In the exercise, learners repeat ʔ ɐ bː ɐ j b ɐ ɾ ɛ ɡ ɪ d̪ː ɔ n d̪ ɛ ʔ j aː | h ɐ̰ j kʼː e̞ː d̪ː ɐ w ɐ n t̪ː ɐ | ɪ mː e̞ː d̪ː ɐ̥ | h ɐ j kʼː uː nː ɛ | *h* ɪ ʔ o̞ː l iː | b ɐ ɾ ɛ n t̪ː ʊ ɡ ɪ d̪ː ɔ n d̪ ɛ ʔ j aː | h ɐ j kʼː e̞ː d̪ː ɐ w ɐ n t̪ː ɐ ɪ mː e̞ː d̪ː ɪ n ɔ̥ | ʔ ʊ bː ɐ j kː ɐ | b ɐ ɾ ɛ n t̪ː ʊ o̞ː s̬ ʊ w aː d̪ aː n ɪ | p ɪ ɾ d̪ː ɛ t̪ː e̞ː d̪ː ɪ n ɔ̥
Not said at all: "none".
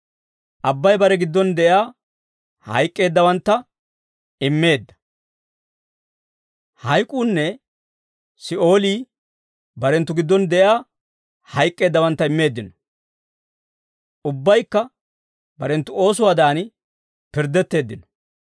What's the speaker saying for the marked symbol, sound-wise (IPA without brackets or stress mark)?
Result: s